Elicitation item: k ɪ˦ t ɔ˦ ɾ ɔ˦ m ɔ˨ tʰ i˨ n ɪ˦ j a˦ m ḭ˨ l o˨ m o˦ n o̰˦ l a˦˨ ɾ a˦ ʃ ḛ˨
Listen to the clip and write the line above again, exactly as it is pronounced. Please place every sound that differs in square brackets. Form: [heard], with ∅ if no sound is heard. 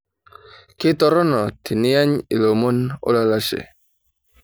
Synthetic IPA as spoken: k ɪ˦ t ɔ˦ ɾ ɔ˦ [n] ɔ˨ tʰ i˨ n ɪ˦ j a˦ [ɲ] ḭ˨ l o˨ m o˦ n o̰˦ l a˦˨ [l] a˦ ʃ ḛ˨

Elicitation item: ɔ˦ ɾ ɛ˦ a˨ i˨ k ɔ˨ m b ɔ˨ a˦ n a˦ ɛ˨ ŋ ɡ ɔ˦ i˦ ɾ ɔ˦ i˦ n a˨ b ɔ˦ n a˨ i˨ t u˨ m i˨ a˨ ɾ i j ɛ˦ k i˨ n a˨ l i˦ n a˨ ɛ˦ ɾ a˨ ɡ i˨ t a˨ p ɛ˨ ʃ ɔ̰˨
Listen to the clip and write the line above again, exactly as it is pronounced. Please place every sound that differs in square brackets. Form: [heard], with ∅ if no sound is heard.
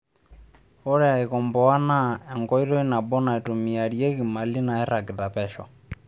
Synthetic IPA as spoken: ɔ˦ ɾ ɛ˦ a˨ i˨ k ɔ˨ m b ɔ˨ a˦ n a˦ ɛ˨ ŋ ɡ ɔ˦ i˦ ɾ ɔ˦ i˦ n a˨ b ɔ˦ n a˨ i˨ t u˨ m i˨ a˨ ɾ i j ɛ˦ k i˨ [m] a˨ l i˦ n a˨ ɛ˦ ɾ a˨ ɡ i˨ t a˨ p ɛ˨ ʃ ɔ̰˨

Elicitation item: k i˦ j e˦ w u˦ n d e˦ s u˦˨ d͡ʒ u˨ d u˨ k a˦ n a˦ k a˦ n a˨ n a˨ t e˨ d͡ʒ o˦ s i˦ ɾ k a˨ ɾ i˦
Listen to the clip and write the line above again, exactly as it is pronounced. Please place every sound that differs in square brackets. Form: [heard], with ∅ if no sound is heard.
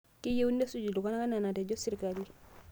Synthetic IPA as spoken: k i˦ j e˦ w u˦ n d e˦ s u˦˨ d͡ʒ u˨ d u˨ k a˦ n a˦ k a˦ n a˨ n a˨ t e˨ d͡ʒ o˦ s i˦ ɾ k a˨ [l] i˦

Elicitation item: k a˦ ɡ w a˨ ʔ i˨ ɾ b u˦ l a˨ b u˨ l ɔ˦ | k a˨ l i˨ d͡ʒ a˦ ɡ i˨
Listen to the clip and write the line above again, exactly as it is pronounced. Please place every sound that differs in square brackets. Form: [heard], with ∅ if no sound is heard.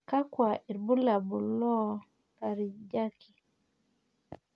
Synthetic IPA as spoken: k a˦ [k] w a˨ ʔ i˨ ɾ b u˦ l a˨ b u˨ l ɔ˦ | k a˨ [ɾ] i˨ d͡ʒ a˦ [k] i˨

